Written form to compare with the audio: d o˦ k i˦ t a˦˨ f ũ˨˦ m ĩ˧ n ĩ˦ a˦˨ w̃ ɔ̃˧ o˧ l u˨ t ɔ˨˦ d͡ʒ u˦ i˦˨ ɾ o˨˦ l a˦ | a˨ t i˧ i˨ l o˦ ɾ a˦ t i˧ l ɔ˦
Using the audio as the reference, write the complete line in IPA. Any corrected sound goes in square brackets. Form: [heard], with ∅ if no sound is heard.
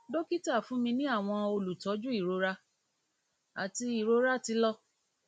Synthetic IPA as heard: d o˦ k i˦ t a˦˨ f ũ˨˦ m ĩ˧ n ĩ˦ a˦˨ w̃ ɔ̃˧ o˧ l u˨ t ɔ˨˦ d͡ʒ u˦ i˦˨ ɾ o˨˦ [ɾ] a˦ | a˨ t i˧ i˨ [ɾ] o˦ ɾ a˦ t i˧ l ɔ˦